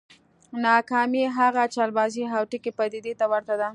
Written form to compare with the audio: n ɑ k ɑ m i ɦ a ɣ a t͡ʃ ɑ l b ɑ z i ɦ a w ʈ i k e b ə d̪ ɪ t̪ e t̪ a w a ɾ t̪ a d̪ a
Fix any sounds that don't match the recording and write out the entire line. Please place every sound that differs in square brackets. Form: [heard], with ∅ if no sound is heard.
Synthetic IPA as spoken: n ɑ k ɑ m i ɦ a ɣ a t͡ʃ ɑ l b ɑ z i ɦ a w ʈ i k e [p] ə d̪ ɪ [d̪] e t̪ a w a ɾ t̪ a d̪ a